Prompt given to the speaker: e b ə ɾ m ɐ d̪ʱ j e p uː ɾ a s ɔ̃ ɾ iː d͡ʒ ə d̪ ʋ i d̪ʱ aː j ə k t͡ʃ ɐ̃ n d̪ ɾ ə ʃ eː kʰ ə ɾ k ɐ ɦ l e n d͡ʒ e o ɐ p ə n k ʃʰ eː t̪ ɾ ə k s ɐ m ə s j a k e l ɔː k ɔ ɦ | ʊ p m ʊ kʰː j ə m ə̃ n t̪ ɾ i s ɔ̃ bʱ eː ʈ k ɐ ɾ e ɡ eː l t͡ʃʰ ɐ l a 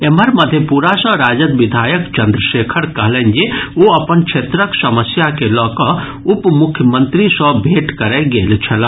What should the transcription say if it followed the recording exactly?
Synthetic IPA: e m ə ɾ m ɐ d̪ʱ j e p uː ɾ a s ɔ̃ ɾ aː d͡ʒ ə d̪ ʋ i d̪ʱ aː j ə k t͡ʃ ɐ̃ n d̪ ɾ ə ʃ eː kʰ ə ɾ k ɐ ɦ l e n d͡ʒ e o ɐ p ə n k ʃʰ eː t̪ ɾ ə k s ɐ m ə s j a k e l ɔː k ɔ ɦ | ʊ p m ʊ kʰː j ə m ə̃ n t̪ ɾ i s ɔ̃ bʱ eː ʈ k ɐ ɾ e ɡ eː l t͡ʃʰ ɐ l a

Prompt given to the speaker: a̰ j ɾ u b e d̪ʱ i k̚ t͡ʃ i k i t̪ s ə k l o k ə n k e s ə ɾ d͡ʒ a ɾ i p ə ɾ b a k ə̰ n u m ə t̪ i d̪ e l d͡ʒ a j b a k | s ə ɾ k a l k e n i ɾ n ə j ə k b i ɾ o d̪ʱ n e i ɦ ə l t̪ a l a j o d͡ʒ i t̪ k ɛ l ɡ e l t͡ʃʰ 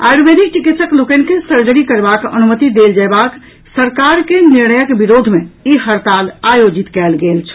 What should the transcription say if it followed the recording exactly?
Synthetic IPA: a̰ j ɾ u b e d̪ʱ i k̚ t͡ʃ i k i t̪ s ə k l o k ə n k e s ə ɾ d͡ʒ ə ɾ i k ə ɾ b a k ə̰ n u m ə t̪ i d̪ e l d͡ʒ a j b a k | s ə ɾ k a ɾ k e n i ɾ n ə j ə k b i ɾ o d̪ʱ m e i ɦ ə ɾ t̪ a l a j o d͡ʒ i t̪ k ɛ l ɡ e l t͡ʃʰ

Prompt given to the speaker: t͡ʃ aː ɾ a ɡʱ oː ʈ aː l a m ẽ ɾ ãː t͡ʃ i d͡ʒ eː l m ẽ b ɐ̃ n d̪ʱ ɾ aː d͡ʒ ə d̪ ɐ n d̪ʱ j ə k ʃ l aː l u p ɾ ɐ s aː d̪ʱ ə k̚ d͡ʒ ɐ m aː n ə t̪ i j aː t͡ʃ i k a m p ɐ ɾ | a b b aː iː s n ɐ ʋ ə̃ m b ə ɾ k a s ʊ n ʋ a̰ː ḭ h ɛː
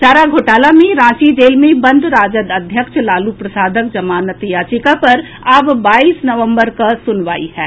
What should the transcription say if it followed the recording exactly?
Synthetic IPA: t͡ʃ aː ɾ a ɡʱ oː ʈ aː l a m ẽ ɾ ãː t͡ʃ i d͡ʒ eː l m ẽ b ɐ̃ n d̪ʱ ɾ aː d͡ʒ ə d̪ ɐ d̪ʱ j ə k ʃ l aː l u p ɾ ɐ s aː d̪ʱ ə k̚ d͡ʒ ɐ m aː n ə t̪ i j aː t͡ʃ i k a p ɐ ɾ | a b b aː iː s n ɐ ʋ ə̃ m b ə ɾ k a s ʊ n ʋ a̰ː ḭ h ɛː

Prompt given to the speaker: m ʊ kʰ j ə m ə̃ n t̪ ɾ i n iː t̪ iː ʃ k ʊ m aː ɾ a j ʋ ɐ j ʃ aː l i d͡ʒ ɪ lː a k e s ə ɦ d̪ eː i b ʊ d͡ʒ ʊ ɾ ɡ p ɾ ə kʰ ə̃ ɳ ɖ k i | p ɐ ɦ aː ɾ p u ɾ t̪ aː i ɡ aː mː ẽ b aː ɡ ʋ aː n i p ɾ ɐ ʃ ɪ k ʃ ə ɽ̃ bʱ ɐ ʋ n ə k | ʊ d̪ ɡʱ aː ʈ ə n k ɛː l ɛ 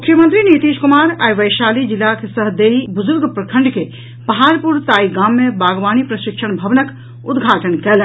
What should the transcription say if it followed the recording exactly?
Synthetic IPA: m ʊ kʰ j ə m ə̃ n t̪ ɾ i n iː t̪ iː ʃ k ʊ m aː ɾ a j ʋ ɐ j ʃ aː l i d͡ʒ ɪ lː a k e s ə ɦ d̪ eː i b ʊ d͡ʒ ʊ ɾ ɡ p ɾ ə kʰ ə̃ ɳ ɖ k e | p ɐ ɦ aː ɾ p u ɾ t̪ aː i ɡ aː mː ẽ b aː ɡ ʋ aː n i p ɾ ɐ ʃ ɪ k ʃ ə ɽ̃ bʱ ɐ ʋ n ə k | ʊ d̪ ɡʱ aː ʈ ə n k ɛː l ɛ

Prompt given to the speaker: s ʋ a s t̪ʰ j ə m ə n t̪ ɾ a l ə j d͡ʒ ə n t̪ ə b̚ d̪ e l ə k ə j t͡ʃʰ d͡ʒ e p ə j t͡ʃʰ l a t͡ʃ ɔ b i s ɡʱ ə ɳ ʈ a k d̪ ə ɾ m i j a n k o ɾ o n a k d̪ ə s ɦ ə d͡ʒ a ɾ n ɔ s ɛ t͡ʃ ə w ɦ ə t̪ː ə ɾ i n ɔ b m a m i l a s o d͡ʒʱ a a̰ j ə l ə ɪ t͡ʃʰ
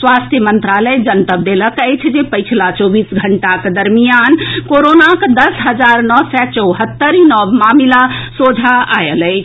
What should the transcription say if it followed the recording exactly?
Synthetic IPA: s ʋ a s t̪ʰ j ə m ə n t̪ ɾ a l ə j d͡ʒ ə n t̪ ə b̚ d̪ e l ə k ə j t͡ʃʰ d͡ʒ e p ə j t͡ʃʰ l a t͡ʃ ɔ b i s ɡʱ ə ɳ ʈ a k d̪ ə ɾ m i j a n k o ɾ o n a k d̪ ə s ɦ ə d͡ʒ a ɾ n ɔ s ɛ t͡ʃ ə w ɦ ə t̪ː ə ɾ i n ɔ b m a m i l a s o d͡ʒʱ a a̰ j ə l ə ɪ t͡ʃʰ

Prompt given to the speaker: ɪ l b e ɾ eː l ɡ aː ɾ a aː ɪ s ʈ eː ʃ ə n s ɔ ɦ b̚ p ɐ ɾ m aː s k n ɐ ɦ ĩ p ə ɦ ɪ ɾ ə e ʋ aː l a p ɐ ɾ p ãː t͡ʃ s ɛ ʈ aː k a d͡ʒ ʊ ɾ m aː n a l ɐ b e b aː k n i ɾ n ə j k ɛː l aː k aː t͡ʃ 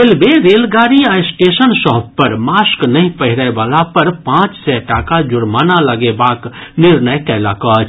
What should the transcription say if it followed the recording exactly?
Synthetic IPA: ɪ l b e ɾ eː l ɡ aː ɾ i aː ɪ s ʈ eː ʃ ə n s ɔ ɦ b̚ p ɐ ɾ m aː s k n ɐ ɦ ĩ p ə ɦ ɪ ɾ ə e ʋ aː l a p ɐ ɾ p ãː t͡ʃ s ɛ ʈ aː k a d͡ʒ ʊ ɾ m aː n a l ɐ ɡ e b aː k n ɪ ɾ n ə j k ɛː l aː k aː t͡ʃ

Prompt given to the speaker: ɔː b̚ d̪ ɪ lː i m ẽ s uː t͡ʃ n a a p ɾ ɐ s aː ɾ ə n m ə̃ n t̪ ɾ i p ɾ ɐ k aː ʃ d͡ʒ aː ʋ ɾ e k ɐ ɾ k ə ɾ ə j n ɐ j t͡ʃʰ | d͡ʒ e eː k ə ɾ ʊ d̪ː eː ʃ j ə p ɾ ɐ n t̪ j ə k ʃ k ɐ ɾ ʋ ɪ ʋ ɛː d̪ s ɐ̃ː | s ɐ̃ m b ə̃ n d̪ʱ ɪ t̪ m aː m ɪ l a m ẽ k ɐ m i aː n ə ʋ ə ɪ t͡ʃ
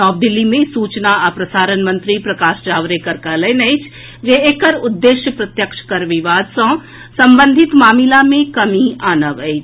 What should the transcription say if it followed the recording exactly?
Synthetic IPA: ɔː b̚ d̪ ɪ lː i m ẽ s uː t͡ʃ n a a p ɾ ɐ s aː ɾ ə n m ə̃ n t̪ ɾ i p ɾ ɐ k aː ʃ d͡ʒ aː ʋ ɾ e k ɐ ɾ k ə l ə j n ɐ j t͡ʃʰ | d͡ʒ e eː k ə ɾ ʊ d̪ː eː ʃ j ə p ɾ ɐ t̪ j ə k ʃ k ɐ ɾ ʋ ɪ ʋ aː d̪ s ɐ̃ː | s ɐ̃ m b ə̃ n d̪ʱ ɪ t̪ m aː m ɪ l a m ẽ k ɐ m i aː n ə ʋ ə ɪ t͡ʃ

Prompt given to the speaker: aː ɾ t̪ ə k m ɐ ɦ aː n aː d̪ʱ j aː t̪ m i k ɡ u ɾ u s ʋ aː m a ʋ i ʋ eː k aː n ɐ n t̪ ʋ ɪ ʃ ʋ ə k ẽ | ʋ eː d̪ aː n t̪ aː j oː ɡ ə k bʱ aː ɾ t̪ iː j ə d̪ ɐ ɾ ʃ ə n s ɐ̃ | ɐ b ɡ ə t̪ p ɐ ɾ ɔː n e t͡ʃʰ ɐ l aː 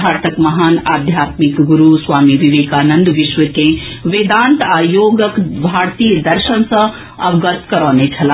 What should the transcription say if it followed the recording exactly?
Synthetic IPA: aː ɾ t̪ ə k m ɐ ɦ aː n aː d̪ʱ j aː t̪ m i k ɡ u ɾ u s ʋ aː m i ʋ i ʋ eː k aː n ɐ n d̪ ʋ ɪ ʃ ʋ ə k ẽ | ʋ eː d̪ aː n t̪ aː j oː ɡ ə k bʱ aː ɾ t̪ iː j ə d̪ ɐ ɾ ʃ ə n s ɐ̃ | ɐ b ɡ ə t̪ k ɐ ɾ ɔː n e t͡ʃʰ ɐ l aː

